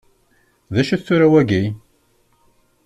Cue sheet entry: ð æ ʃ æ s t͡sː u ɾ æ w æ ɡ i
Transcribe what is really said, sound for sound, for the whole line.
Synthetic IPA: ð æ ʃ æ θ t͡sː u ɾ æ w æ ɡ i